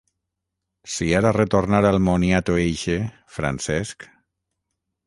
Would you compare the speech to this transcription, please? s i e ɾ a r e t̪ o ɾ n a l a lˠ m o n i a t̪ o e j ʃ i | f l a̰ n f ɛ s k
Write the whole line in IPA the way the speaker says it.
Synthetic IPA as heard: s i a ɾ a r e t̪ o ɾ n a ɾ a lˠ m o n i a t̪ o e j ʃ e | f ɾ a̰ n s ɛ s k